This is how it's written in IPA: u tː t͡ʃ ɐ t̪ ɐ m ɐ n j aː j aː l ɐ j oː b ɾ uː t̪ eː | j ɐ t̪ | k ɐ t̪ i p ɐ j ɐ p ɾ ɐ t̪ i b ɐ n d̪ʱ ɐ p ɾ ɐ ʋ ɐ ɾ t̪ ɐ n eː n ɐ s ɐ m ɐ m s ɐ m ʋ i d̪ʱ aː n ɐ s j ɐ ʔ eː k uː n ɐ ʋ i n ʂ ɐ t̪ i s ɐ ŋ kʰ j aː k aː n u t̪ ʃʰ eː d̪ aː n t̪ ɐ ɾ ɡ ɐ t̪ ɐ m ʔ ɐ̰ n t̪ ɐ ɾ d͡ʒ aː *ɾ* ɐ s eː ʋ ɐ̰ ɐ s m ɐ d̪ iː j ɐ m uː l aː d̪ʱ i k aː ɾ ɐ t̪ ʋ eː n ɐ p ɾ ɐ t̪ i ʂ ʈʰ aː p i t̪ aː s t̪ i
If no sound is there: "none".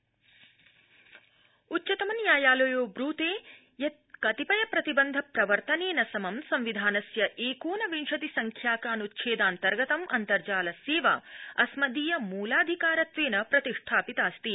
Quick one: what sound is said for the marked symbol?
l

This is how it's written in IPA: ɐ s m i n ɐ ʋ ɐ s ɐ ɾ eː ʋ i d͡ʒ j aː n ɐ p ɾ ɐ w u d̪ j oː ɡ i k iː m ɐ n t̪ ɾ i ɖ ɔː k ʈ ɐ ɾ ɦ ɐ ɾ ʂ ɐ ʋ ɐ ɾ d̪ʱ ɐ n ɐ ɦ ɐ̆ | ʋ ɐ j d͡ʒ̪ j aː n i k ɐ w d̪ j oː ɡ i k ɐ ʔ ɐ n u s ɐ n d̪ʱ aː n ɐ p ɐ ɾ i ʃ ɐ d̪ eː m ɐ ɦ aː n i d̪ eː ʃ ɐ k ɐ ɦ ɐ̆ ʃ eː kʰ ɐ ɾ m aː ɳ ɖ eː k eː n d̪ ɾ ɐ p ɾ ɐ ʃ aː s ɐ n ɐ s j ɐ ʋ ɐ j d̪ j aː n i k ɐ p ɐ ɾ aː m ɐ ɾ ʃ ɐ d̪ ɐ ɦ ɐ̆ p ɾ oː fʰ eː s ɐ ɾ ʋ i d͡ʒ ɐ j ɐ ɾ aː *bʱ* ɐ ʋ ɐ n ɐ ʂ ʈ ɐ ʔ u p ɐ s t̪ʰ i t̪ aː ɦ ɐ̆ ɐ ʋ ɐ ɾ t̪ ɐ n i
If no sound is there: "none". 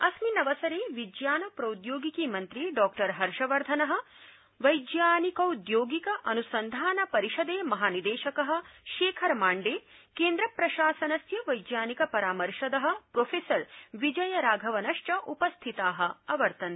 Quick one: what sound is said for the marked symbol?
ɡʱ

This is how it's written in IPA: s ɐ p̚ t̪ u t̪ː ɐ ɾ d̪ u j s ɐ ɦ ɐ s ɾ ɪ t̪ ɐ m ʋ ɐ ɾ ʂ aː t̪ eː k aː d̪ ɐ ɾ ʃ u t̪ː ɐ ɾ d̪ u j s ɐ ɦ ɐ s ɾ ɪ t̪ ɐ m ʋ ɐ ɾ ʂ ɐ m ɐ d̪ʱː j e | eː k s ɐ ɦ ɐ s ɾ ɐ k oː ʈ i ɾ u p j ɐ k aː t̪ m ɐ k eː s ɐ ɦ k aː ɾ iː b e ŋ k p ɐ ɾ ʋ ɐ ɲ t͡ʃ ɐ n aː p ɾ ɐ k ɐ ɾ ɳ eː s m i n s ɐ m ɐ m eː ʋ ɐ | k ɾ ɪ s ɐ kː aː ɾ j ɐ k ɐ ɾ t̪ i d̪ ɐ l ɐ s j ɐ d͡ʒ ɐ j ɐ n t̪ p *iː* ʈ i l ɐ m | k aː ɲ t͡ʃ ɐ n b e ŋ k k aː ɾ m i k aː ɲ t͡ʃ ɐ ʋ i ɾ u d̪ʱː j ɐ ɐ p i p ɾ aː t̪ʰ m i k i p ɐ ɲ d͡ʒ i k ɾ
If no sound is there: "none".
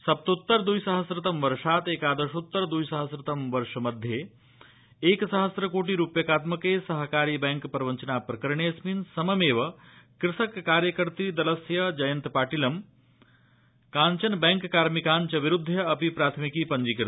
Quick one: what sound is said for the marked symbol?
aː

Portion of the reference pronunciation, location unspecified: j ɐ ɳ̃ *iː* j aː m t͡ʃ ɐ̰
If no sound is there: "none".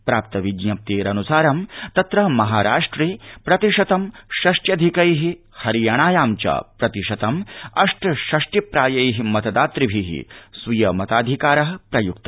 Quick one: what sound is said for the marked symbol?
aː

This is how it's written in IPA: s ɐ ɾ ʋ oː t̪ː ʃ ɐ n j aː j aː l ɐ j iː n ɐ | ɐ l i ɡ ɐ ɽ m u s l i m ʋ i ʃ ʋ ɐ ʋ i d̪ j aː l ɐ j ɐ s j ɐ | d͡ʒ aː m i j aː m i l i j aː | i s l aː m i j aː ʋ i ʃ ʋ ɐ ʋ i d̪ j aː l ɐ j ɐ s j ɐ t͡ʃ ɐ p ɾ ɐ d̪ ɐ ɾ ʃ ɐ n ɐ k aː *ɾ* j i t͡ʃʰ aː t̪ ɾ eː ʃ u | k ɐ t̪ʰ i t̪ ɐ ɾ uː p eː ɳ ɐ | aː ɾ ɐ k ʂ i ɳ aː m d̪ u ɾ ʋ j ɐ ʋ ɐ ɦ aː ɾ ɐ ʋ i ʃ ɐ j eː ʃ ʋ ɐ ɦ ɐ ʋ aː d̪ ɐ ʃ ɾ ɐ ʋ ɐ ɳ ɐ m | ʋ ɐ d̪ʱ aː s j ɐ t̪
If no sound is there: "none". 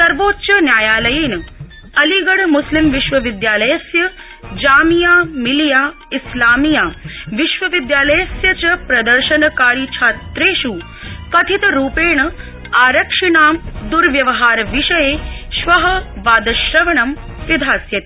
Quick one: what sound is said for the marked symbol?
ɾ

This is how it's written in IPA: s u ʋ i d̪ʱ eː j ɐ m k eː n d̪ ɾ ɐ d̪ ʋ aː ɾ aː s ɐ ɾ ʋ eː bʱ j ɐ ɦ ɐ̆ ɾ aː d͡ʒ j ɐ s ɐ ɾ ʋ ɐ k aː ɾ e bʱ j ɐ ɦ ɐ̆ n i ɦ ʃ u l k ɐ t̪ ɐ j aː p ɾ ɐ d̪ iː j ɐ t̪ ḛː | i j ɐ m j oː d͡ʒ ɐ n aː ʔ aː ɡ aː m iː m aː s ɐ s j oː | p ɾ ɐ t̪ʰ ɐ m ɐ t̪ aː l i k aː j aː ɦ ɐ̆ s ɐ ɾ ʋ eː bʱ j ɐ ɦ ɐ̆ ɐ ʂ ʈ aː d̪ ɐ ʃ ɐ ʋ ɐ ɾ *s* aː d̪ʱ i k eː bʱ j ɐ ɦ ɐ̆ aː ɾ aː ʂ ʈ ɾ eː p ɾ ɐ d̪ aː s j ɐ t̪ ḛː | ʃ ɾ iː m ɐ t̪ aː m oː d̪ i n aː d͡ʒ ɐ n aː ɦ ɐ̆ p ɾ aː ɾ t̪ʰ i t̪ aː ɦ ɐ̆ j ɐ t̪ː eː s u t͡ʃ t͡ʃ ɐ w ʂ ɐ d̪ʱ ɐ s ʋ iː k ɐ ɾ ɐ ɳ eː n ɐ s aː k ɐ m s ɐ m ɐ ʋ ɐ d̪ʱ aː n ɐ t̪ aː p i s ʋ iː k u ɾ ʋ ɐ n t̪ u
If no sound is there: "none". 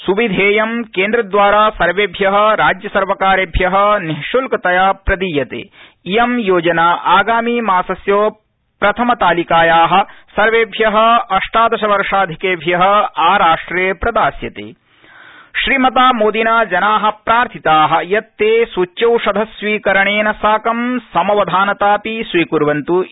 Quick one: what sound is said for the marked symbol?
ʂ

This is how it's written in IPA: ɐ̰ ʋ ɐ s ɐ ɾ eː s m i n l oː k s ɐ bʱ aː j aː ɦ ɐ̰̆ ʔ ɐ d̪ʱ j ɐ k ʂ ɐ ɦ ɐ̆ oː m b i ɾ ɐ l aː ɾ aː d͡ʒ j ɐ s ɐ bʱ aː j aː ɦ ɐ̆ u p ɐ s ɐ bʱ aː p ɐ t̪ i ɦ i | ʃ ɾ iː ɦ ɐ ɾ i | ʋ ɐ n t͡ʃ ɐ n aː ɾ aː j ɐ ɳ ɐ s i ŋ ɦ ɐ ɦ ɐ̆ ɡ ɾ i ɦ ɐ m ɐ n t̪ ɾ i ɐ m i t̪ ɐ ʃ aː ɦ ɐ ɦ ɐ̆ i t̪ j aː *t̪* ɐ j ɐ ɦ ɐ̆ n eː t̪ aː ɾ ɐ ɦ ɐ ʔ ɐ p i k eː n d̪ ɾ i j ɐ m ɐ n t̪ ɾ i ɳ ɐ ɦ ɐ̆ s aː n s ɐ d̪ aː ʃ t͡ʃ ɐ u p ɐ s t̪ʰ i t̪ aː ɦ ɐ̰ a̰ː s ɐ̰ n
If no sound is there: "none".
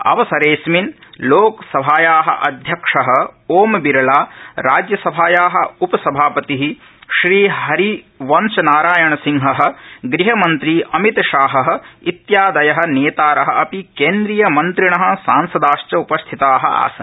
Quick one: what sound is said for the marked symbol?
d̪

